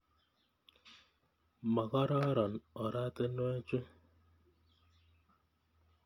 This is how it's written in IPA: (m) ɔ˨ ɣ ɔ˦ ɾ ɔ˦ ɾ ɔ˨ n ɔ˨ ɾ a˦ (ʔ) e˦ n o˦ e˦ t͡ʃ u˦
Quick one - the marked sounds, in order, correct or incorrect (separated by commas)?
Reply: correct, incorrect